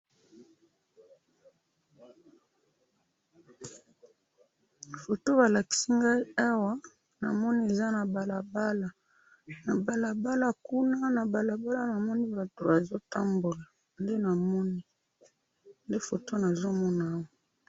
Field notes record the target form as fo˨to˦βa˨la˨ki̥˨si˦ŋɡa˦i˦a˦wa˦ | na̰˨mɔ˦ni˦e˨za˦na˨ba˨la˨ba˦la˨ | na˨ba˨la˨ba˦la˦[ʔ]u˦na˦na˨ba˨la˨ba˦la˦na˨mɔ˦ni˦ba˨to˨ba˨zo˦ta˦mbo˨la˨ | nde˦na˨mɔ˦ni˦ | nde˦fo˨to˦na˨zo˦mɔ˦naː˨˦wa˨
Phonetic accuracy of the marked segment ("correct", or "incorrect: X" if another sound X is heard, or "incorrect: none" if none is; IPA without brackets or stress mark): incorrect: k